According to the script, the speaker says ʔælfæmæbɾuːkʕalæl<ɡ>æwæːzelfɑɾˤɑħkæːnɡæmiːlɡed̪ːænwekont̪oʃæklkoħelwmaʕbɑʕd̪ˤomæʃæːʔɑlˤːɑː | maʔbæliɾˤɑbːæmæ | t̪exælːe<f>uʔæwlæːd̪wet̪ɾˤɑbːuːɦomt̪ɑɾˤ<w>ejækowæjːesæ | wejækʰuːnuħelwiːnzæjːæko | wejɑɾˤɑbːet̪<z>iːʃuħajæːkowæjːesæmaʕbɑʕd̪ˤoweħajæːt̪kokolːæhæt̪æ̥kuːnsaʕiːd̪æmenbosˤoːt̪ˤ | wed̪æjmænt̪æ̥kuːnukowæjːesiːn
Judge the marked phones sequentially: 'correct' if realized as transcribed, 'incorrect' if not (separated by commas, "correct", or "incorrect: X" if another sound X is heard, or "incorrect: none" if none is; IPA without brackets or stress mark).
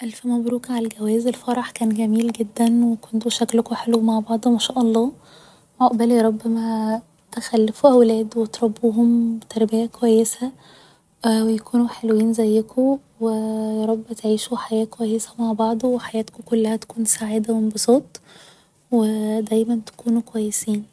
correct, correct, incorrect: b, incorrect: ʕ